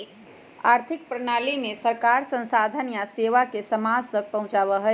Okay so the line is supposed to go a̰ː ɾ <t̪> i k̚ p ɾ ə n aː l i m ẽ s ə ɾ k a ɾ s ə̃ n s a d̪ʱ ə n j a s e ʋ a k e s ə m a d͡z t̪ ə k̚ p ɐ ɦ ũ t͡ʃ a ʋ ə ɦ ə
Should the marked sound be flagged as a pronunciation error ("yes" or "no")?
yes